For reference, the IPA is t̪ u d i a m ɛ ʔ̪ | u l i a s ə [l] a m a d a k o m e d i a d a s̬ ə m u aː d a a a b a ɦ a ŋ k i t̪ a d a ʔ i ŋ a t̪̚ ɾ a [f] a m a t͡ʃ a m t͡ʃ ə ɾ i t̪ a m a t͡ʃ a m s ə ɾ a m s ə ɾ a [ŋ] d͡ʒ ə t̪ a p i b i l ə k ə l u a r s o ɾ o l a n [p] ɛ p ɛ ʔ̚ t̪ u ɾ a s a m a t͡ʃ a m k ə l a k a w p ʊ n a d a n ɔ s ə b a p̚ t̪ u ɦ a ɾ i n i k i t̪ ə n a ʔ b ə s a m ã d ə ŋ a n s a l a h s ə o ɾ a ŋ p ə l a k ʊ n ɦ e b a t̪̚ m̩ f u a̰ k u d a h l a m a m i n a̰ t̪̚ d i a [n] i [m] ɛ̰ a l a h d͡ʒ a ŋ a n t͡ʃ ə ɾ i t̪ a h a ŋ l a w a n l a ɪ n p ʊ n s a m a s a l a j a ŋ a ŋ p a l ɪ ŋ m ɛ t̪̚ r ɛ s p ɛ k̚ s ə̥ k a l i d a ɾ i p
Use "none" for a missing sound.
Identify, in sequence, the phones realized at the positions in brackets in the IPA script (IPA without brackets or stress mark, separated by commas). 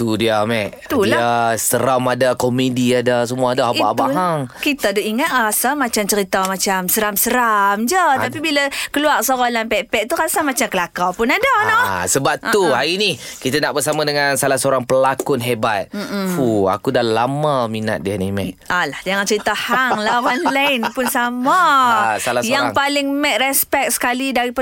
ɾ, s, m, p, n, m